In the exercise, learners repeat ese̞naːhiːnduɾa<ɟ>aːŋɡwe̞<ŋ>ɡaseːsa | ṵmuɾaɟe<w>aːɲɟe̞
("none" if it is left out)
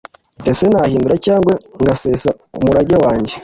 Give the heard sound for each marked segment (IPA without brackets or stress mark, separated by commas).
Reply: c, ŋ, w